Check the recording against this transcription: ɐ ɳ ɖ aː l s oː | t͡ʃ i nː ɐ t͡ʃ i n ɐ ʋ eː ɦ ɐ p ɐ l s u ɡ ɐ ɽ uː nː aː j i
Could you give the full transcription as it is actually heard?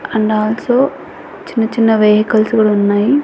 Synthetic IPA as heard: ɐ ɳ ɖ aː l s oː | t͡ʃ i nː ɐ t͡ʃ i nː ɐ ʋ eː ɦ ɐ k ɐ l s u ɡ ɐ ɽ u nː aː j i